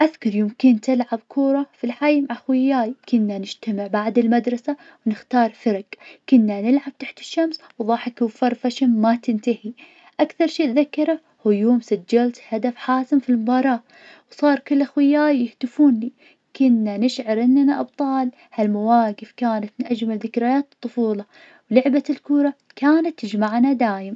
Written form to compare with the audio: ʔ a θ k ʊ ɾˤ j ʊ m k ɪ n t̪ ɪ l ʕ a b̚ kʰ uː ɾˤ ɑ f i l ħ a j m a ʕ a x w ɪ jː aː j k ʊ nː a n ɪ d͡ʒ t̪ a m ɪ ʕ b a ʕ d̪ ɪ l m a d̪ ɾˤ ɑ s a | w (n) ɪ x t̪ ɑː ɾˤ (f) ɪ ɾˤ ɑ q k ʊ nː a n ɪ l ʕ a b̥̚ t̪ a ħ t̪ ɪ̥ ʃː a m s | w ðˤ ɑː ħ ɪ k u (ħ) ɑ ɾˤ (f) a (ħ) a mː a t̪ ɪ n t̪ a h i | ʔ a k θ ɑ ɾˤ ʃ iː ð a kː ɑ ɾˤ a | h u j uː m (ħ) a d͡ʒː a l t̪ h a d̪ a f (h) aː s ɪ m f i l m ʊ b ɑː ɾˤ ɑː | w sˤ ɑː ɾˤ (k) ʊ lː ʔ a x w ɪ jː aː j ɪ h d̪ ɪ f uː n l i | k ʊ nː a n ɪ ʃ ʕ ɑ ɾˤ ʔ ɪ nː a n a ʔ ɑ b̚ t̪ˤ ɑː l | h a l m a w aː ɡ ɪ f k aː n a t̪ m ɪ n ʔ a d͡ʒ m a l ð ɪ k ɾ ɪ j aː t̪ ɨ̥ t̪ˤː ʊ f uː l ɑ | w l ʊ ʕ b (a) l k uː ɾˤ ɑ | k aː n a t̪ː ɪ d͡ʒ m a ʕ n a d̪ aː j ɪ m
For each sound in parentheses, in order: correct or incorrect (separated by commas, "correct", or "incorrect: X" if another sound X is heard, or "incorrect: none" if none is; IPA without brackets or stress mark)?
correct, correct, incorrect: f, correct, incorrect: ʃ, incorrect: s, incorrect: ħ, correct, correct